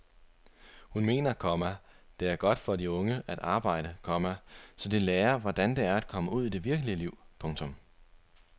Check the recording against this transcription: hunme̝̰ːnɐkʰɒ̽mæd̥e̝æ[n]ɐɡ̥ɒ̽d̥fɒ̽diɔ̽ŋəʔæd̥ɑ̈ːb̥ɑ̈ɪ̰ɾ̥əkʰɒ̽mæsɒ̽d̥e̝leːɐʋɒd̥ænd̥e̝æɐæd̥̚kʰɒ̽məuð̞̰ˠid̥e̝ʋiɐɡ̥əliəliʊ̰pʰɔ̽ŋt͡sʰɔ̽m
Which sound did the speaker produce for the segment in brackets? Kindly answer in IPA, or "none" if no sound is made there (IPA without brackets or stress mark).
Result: none